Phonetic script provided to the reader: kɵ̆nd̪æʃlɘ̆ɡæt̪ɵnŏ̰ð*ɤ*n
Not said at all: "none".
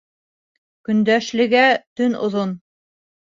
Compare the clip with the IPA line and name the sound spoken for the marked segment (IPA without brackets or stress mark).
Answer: o